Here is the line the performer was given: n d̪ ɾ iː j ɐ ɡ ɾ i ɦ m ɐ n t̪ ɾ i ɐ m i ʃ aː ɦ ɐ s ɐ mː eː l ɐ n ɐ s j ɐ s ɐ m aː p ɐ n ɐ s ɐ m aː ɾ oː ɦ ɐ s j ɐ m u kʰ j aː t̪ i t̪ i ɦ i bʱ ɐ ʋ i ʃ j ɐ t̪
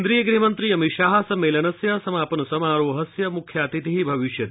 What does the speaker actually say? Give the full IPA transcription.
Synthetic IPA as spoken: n d̪ ɾ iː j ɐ ɡ ɾ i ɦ m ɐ n t̪ ɾ i ɐ m i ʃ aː ɦ ɐ s ɐ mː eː l ɐ n ɐ s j ɐ s ɐ m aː p ɐ n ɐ s ɐ m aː ɾ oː ɦ ɐ s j ɐ m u kʰ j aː t̪ i t̪ i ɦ i bʱ ɐ ʋ i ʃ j ɐ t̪